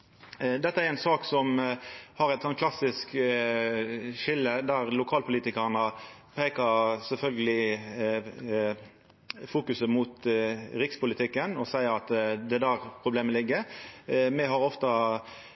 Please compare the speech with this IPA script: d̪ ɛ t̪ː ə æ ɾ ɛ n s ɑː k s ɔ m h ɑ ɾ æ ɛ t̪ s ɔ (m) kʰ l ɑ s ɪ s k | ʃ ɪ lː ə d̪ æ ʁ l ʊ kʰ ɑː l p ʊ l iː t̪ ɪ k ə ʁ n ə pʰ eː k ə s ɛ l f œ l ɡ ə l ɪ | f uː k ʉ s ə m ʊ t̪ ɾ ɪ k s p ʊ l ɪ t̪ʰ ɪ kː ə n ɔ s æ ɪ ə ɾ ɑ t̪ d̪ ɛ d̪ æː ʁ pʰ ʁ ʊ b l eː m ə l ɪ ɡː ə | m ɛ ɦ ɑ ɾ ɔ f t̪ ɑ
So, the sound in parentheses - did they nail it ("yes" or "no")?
no